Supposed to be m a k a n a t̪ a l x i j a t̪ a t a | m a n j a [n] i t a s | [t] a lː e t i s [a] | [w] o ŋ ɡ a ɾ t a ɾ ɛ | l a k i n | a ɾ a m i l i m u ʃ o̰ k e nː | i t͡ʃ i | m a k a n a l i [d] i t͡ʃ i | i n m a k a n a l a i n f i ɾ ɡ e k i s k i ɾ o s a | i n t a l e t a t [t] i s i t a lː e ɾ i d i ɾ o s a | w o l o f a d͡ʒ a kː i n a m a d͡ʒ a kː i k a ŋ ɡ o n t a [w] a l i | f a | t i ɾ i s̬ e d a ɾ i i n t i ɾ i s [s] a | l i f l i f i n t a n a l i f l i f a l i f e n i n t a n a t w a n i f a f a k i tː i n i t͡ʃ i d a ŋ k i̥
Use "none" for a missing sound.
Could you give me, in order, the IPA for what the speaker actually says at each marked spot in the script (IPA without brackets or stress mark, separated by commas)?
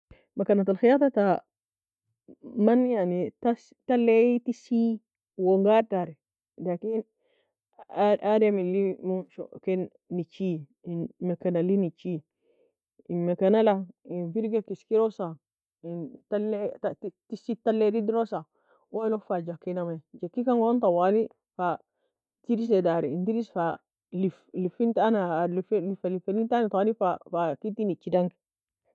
n, t, i, w, n, t, w, f